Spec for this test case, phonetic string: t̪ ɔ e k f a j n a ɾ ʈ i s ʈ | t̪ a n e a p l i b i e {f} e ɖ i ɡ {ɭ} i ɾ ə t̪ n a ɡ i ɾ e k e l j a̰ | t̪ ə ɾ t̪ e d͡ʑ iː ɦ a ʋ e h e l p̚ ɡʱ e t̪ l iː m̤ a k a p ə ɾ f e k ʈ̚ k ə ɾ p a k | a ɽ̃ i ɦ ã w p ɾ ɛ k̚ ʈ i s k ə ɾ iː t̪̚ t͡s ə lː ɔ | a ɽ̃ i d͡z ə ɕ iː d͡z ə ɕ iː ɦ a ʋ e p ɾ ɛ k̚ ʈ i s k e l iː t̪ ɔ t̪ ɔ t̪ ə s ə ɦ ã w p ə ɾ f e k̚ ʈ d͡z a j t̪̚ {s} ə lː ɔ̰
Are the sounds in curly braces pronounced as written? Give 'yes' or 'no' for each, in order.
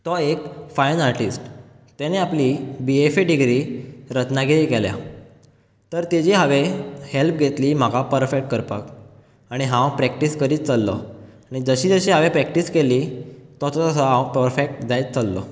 yes, no, no

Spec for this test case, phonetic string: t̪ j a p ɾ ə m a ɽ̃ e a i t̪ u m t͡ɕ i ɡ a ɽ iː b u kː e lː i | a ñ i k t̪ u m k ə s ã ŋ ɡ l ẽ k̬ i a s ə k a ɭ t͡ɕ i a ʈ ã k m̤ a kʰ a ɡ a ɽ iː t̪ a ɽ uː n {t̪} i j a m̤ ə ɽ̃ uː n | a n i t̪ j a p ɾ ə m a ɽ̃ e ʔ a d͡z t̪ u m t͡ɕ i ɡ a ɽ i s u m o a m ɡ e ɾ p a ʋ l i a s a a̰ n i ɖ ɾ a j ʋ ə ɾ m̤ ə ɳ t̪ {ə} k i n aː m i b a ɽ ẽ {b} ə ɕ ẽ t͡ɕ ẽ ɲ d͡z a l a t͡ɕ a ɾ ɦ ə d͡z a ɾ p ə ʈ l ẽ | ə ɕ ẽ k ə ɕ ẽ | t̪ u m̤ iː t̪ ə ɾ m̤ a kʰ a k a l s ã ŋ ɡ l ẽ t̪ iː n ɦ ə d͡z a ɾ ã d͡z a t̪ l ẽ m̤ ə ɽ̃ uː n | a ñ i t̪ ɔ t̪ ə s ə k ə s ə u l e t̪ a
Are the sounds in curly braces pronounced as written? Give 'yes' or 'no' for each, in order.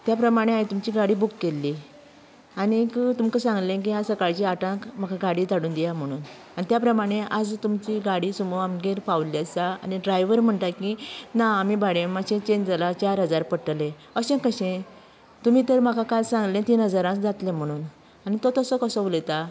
no, no, no

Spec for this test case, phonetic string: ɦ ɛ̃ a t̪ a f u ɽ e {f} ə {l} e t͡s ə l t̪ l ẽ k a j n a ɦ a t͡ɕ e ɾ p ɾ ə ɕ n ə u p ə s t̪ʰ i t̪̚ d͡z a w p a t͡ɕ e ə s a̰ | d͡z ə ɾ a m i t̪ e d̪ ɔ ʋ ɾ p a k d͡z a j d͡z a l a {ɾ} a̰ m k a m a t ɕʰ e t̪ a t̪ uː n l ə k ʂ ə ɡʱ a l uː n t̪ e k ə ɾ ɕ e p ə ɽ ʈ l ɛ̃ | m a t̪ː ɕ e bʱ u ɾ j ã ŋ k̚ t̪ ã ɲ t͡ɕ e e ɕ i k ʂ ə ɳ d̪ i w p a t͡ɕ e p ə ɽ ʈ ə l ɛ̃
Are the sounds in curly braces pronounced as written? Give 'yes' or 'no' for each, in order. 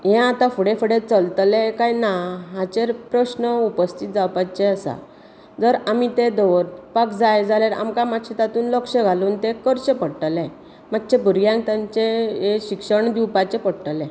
yes, no, yes

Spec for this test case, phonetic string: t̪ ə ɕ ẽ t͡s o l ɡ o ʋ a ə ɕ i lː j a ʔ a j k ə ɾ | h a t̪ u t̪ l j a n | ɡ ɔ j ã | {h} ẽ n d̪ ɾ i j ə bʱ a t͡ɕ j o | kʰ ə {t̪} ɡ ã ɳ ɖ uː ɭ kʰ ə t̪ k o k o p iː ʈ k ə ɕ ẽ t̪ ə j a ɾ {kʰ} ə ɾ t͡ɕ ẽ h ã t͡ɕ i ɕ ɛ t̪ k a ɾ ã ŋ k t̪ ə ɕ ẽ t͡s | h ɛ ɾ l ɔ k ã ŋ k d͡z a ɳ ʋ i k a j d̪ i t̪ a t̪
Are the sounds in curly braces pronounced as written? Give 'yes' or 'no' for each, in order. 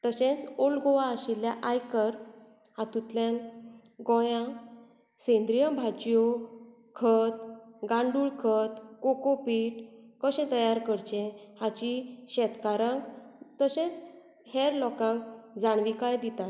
no, yes, no

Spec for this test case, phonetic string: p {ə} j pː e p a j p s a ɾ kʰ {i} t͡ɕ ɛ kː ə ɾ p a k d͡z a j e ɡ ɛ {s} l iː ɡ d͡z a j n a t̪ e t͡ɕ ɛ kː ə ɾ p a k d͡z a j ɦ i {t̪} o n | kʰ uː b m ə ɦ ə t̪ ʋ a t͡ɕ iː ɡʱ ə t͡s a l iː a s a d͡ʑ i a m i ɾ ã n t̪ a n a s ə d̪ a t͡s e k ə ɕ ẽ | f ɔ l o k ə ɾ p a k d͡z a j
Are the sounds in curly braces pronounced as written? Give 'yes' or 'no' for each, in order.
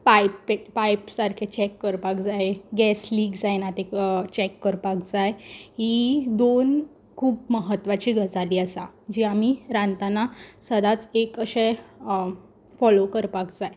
no, no, yes, no

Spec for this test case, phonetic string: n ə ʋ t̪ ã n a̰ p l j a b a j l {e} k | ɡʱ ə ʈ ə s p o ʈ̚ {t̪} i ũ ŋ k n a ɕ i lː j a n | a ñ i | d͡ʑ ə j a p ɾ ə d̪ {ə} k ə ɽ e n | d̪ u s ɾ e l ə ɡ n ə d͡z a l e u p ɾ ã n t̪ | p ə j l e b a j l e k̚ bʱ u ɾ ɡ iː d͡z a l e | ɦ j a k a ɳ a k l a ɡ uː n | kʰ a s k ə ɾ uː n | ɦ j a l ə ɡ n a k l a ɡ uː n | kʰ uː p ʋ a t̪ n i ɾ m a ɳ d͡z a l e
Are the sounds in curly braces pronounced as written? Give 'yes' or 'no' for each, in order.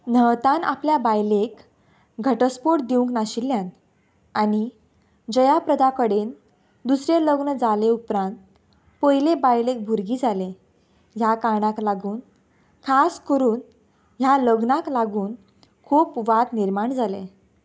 yes, no, no

